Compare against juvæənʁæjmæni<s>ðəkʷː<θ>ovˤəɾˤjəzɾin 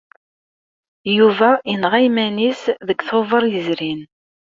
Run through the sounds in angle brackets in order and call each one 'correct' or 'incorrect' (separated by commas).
correct, correct